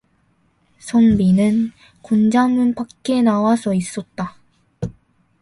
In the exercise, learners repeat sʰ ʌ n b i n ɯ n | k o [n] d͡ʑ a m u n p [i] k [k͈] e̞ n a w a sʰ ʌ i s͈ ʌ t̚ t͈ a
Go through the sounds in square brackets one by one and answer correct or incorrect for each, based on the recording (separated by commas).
correct, incorrect, correct